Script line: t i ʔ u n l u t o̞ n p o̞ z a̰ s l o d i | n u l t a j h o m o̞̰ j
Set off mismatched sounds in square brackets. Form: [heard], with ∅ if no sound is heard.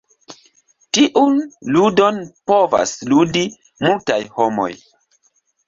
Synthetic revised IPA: t i ʔ u n l u [d] o̞ n p o̞ [v] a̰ s l [u] d i | [m] u l t a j h o m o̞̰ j